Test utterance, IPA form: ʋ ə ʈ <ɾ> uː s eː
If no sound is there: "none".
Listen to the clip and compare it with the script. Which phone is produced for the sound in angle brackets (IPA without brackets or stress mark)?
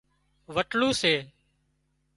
l